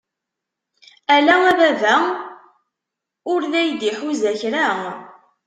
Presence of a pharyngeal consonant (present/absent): present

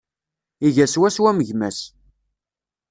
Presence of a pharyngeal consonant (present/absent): absent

